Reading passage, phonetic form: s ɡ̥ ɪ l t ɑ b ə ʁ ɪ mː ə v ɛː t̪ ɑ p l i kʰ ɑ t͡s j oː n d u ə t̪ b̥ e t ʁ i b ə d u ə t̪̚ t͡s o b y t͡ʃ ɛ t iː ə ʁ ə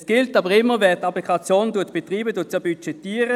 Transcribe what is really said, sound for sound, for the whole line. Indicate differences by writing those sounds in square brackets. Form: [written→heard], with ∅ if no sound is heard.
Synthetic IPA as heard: s ɡ̥ ɪ l t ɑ b ə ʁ ɪ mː ə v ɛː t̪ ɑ p l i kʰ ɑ t͡s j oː n d u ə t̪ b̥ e t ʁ [i→iː] b ə d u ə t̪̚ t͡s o b y t͡ʃ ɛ t iː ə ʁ ə

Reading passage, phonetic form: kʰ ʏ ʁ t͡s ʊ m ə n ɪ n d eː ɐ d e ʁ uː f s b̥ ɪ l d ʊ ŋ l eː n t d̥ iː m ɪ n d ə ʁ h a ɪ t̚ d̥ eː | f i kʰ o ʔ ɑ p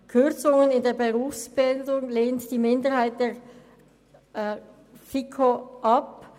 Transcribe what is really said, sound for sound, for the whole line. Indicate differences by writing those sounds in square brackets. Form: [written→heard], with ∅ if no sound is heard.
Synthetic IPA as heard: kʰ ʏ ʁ t͡s ʊ [m→ŋ] ə n ɪ n d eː ɐ [d→b] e ʁ uː f s b̥ ɪ l d ʊ ŋ l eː n t d̥ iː m ɪ n d ə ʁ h a ɪ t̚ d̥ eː | f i kʰ o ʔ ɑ p

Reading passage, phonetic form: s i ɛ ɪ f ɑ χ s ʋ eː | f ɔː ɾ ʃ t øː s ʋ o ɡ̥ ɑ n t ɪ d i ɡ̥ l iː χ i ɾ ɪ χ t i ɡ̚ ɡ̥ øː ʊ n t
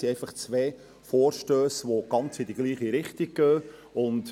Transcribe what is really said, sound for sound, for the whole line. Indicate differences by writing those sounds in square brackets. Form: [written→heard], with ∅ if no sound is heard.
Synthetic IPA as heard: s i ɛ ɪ f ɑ χ [s→t͡s] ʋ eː | f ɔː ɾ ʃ t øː s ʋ o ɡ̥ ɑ n [t→t͡s] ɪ d i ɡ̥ l iː χ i ɾ ɪ χ t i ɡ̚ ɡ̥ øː ʊ n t

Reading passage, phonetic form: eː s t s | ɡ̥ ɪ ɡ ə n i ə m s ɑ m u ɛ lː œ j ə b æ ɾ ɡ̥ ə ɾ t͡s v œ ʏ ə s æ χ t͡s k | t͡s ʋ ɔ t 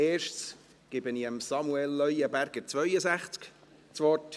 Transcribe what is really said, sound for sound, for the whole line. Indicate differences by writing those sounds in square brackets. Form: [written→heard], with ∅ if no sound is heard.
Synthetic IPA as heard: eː [s→ʃ] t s | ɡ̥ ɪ [ɡ→b] ə n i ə m s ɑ m u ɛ lː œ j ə b æ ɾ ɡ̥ ə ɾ t͡s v œ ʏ ə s æ χ t͡s k | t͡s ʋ ɔ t

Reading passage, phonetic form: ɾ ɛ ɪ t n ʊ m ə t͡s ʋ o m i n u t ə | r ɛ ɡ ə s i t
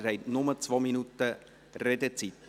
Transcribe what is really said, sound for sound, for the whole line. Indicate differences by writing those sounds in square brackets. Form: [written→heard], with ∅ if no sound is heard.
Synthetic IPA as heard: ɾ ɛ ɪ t n ʊ m ə t͡s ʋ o m i n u t ə | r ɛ [ɡ→d] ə [s→t͡s] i t

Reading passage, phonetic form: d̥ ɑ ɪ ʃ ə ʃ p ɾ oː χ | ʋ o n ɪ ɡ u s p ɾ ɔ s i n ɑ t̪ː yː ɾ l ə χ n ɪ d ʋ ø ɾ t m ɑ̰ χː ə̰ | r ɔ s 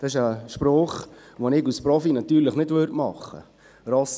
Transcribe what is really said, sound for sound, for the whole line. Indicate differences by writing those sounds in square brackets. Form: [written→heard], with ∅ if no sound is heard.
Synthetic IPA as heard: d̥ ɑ ɪ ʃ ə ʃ p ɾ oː χ | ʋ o n ɪ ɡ u s p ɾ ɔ [s→f] i n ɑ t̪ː yː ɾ l ə χ n ɪ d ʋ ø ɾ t m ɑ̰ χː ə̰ | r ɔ s

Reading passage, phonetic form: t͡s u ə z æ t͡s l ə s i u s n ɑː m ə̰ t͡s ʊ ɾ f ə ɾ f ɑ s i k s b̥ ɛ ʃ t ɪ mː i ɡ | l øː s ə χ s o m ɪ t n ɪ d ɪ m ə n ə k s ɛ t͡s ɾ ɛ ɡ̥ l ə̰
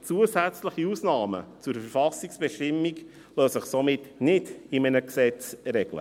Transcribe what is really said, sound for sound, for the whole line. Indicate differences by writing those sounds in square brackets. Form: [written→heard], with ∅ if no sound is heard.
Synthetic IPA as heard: t͡s u ə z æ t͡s l ə [s→χ] i u s n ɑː m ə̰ t͡s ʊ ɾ f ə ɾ f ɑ s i k s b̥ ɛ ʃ t ɪ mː i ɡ | l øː s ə χ s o m ɪ t n ɪ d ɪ m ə n ə k s ɛ t͡s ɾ ɛ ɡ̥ l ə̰

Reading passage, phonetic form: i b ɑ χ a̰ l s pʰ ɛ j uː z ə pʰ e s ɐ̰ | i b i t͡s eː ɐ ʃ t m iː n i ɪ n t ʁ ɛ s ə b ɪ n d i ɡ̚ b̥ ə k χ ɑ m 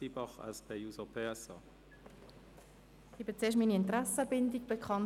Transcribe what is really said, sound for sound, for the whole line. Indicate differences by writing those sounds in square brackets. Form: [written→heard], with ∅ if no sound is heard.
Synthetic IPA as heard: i b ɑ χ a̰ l s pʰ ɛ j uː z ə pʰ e s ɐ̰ | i b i t͡s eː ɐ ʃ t m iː n i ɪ n t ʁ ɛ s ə b ɪ n d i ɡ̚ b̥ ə k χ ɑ [m→n]

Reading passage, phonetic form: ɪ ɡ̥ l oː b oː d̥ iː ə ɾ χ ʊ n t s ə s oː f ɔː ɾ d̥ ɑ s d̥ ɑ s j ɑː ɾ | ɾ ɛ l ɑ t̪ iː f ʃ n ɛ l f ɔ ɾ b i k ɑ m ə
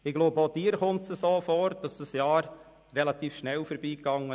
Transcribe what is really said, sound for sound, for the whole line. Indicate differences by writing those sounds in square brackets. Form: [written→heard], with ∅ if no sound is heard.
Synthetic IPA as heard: ɪ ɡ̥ l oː b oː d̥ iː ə ɾ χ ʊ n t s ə s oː f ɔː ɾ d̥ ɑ s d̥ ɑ s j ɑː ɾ | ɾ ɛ l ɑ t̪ iː f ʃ n ɛ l f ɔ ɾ b [i→iː] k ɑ [m→ŋ] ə

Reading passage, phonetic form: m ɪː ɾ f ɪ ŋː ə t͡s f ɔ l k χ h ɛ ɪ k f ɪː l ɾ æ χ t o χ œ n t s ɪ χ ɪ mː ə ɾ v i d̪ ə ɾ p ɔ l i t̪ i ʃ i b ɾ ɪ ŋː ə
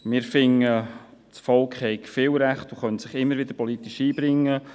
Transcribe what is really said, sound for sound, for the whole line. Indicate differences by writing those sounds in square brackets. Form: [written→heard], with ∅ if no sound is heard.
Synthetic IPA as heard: m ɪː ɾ f ɪ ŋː ə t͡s f ɔ l k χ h ɛ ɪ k f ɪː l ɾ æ χ t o χ œ n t s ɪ χ ɪ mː ə ɾ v [i→ɪ] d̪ ə ɾ p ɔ l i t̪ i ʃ [i→iː] b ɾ ɪ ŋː ə

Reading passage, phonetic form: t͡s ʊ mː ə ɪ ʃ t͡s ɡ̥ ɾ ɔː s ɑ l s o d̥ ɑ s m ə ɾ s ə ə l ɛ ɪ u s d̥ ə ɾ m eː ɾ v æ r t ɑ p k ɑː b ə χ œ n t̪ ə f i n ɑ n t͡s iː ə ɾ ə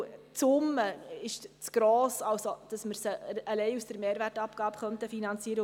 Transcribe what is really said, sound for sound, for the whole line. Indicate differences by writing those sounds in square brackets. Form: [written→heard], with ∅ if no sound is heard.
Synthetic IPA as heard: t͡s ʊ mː ə ɪ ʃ t͡s ɡ̥ ɾ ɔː s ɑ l s o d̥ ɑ s m ə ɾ s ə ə l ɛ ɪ u s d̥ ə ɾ m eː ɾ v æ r t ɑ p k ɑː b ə χ œ n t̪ ə f i n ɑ n t͡s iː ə ɾ ə

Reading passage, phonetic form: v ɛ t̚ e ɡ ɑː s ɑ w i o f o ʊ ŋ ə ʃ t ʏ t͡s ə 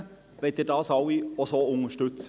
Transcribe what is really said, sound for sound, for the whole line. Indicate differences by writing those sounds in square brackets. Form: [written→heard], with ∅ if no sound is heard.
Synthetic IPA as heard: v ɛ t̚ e [ɡ→d] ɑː s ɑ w i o [f→s] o ʊ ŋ ə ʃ t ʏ t͡s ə

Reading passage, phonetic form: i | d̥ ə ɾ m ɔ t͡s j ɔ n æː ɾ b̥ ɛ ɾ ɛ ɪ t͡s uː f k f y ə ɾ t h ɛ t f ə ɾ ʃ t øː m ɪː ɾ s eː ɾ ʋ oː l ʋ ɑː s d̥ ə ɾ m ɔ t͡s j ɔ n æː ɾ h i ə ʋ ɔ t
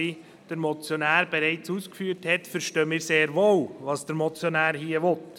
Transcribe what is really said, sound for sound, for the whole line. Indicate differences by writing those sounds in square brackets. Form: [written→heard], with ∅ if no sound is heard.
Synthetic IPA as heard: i | d̥ ə ɾ m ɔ t͡s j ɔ n æː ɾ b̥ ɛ ɾ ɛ ɪ t͡s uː [f→s] k f y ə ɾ t h ɛ t f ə ɾ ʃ t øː m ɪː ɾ s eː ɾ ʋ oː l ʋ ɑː s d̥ ə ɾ m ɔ t͡s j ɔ n æː ɾ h i ə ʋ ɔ t

